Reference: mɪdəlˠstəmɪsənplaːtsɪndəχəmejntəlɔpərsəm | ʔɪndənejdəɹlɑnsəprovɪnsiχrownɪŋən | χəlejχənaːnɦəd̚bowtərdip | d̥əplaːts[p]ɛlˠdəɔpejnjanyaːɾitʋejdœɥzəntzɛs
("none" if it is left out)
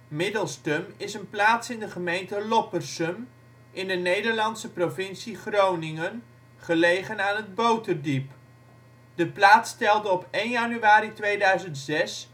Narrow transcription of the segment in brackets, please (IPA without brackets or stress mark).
t